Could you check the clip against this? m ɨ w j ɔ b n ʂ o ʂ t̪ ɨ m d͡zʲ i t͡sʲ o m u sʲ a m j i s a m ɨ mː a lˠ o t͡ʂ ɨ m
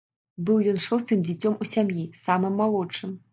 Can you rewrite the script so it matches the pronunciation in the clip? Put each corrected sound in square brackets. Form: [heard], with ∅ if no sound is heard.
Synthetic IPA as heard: [b] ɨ w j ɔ [∅] n ʂ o [s] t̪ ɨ m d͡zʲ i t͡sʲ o m u sʲ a m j i s a m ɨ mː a lˠ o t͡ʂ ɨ m